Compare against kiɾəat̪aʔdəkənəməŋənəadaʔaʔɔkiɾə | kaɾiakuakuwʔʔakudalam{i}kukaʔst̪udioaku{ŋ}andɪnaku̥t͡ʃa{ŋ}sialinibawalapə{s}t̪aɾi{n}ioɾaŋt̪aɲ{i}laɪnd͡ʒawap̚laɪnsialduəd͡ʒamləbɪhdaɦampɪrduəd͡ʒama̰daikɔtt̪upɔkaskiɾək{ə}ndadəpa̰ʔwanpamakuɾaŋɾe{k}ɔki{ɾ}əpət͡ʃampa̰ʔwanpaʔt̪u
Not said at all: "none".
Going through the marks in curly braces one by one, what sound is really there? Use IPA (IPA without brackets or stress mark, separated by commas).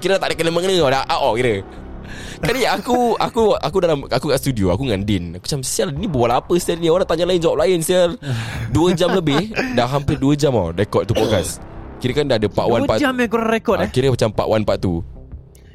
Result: a, ŋ, m, s, n, a, a, k, ɾ